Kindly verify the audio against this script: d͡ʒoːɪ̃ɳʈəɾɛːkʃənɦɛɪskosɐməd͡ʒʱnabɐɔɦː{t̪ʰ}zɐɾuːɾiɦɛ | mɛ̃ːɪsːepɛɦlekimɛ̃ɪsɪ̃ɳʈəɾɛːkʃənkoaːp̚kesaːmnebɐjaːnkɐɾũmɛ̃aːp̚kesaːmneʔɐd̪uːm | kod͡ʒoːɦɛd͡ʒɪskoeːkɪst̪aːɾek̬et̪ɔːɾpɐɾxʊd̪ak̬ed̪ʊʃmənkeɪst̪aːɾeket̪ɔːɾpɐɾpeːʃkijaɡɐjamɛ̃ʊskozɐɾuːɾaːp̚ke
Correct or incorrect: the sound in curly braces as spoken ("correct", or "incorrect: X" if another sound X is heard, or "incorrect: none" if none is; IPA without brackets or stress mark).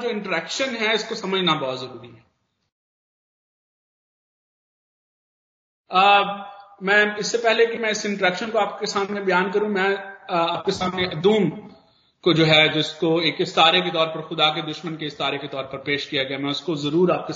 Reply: incorrect: t̪